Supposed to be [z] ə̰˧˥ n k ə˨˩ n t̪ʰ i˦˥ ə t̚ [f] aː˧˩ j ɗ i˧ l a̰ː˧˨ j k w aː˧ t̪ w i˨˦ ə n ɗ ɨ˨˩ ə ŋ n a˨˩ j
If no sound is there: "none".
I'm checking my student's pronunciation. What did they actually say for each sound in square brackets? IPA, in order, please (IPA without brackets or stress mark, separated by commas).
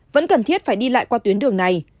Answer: v, f